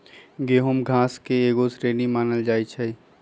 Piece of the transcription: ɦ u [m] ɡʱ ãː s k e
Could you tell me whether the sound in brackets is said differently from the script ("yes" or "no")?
no